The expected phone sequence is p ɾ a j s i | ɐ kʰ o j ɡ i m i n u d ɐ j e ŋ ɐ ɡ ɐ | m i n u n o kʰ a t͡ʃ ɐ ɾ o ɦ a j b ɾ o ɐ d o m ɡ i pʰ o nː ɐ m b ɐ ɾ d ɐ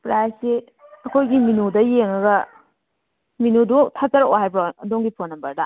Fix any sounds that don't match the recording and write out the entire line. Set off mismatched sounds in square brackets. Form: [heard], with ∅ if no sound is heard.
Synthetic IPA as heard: p ɾ a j s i | ɐ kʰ o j ɡ i m i n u d ɐ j e ŋ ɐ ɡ ɐ | m i n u [d] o [tʰ] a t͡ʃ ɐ ɾ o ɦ a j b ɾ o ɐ d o [ŋ] ɡ i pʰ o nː ɐ m b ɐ ɾ d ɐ